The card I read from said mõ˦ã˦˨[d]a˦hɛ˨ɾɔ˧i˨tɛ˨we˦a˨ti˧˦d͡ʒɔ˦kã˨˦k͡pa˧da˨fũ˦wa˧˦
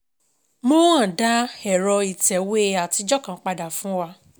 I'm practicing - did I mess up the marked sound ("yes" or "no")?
no